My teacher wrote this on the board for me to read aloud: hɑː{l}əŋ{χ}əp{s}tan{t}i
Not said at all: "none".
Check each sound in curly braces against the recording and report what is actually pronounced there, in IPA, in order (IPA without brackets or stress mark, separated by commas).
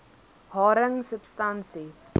ɾ, s, s, s